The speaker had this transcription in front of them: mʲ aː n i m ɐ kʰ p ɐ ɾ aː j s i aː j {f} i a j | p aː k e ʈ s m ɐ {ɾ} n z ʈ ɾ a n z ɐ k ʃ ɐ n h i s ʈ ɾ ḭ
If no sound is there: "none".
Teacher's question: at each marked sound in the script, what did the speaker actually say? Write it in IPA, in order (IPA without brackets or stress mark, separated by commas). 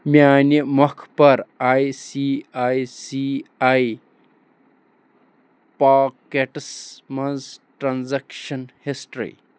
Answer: s, none